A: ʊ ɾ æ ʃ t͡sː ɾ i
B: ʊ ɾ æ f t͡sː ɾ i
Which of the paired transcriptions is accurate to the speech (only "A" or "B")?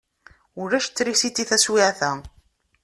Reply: A